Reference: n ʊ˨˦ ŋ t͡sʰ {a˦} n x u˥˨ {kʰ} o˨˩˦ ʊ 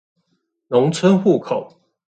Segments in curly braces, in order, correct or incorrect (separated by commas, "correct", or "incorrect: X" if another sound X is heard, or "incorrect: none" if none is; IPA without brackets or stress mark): incorrect: ə˦, correct